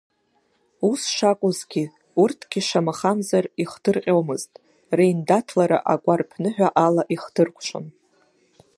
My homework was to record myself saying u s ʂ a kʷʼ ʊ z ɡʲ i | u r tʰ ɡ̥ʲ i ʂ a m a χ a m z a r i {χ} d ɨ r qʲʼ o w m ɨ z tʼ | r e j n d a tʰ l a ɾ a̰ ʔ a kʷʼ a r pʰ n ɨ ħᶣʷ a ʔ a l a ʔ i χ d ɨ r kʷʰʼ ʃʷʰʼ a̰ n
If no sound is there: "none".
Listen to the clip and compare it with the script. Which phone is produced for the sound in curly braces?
χ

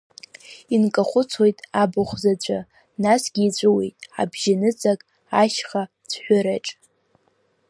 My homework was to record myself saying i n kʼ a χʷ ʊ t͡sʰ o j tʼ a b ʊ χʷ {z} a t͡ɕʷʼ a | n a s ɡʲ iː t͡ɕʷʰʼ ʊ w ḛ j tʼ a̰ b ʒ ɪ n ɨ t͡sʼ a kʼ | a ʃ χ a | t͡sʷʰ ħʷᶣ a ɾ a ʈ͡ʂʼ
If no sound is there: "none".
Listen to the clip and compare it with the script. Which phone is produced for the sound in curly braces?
z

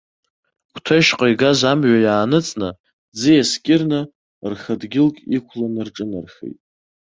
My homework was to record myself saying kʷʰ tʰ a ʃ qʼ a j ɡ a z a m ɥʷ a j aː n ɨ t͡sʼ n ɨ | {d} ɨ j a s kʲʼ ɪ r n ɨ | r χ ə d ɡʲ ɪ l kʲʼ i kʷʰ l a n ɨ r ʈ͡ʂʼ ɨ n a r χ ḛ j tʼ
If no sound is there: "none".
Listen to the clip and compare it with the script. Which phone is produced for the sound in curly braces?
d͡z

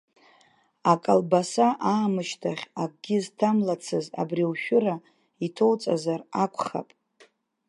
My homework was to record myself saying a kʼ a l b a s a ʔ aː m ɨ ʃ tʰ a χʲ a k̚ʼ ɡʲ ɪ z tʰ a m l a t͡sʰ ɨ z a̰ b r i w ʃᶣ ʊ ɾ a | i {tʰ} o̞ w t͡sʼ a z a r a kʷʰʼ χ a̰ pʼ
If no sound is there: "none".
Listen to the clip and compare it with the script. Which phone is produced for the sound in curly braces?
tʰ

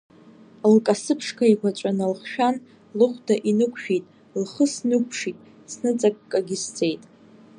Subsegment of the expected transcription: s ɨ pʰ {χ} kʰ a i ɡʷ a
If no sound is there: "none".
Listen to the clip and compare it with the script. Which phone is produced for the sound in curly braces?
ʂ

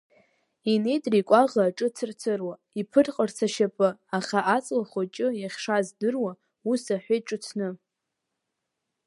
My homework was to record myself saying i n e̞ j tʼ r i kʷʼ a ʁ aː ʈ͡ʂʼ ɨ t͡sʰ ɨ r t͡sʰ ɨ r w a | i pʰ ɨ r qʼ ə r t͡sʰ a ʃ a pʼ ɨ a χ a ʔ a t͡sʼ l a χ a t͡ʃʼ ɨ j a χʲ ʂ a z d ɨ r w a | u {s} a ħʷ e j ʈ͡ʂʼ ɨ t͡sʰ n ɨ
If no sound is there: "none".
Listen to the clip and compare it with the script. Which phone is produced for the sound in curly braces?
s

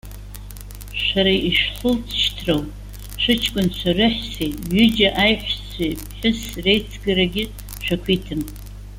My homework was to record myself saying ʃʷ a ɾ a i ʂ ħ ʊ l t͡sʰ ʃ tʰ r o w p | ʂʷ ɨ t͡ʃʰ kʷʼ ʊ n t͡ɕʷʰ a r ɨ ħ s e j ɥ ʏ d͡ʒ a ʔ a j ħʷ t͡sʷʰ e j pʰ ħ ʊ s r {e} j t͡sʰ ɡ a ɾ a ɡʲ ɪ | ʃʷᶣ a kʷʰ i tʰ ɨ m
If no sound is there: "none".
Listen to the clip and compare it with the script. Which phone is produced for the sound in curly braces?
e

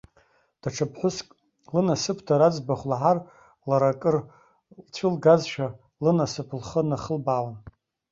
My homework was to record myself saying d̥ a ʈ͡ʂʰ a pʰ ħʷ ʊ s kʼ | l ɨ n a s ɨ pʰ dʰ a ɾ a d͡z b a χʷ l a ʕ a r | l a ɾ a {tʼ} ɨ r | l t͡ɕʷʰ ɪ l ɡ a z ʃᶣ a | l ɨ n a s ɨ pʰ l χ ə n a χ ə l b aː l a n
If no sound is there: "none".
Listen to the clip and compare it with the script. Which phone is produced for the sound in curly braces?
kʼ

